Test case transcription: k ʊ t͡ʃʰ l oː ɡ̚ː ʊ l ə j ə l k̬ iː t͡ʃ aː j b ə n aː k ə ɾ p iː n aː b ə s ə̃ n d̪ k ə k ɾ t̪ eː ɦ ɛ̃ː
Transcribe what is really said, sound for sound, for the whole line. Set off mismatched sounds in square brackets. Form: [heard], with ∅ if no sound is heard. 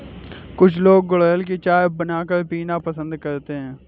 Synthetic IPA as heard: k ʊ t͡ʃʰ l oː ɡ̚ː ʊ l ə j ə l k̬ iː t͡ʃ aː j b ə n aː k ə ɾ p iː n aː [p] ə s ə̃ n d̪ k ə [∅] ɾ t̪ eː ɦ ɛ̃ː